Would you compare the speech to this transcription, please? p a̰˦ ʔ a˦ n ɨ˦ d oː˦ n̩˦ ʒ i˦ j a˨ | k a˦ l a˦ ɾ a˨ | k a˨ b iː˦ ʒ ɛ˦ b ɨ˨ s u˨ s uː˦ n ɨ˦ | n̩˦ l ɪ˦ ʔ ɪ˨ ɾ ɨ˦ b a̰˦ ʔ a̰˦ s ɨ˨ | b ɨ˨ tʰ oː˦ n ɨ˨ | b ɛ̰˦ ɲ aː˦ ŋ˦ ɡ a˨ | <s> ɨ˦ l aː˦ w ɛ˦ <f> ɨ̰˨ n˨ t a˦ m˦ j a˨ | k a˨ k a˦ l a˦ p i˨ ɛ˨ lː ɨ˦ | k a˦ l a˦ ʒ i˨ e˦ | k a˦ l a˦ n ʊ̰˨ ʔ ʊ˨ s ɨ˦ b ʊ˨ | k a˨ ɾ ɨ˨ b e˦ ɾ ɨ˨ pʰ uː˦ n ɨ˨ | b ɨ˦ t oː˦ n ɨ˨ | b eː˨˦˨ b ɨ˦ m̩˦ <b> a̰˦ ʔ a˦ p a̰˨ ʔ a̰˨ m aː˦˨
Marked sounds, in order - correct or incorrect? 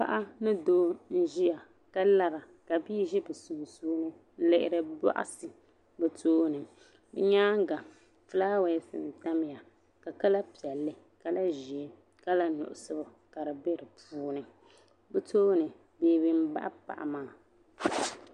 incorrect: f, incorrect: s, correct

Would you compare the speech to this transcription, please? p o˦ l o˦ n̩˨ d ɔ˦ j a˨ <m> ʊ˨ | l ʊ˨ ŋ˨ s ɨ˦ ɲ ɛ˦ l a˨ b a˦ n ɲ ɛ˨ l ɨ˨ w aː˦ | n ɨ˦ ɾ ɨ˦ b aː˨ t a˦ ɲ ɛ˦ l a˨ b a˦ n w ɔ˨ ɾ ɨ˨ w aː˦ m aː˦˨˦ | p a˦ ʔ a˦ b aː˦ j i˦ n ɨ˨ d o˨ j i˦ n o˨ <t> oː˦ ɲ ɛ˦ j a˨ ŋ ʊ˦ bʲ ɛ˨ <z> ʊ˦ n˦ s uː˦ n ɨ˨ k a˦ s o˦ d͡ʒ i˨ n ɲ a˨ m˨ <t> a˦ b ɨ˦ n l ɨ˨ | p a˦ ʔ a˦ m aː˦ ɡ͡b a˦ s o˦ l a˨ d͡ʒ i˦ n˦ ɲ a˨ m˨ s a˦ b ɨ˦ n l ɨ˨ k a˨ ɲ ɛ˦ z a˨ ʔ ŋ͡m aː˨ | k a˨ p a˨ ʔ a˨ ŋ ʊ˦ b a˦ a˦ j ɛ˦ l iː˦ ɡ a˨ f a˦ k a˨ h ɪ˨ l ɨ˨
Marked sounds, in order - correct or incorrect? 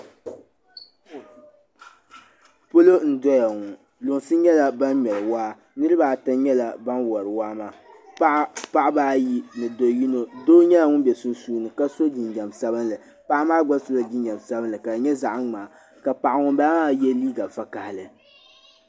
incorrect: ŋ, incorrect: d, incorrect: s, incorrect: s

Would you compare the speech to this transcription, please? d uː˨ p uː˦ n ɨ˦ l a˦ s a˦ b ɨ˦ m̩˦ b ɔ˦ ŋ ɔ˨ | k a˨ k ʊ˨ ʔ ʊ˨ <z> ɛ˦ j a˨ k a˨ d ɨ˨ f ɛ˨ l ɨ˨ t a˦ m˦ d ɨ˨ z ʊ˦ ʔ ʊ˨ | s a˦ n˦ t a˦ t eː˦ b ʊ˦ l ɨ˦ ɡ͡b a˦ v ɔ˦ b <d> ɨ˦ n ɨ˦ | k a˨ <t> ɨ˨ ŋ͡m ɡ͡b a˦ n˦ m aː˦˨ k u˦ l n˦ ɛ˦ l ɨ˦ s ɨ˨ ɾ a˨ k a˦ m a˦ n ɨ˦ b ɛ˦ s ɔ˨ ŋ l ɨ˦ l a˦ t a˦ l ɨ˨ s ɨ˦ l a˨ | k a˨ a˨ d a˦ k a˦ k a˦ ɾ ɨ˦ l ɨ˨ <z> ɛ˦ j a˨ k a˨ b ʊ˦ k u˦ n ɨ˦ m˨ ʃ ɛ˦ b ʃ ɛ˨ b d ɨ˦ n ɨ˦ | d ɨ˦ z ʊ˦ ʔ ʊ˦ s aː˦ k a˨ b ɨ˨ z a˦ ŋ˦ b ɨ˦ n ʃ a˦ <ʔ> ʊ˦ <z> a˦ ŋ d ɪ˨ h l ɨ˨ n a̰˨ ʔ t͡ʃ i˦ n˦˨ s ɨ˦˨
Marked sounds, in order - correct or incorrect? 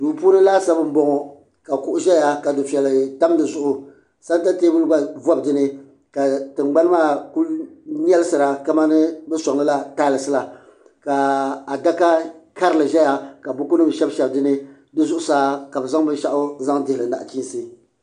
incorrect: ʒ, correct, correct, incorrect: ʒ, correct, correct

